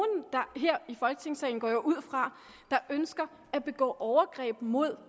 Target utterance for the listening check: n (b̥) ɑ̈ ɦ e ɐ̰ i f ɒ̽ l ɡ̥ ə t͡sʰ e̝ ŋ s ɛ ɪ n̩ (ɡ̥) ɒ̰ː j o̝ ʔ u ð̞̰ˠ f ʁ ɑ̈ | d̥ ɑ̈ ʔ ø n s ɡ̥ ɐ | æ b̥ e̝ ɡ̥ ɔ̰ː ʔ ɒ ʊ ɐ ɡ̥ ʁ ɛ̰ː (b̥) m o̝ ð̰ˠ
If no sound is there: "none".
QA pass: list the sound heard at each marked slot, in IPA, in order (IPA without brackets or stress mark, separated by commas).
d̥, ɡ̥, b̥